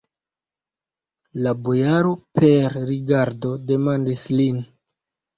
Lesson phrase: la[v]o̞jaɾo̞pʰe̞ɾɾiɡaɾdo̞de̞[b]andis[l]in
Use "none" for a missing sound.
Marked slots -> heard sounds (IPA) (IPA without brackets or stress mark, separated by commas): b, m, l